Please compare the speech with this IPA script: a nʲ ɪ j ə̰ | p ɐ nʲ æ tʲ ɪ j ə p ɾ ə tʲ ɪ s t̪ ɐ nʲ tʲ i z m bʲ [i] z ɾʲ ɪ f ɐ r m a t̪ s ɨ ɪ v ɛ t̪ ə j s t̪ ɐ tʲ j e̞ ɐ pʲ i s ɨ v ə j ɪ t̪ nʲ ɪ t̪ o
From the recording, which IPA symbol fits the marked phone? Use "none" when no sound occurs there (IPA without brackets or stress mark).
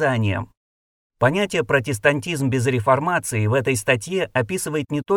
ɪ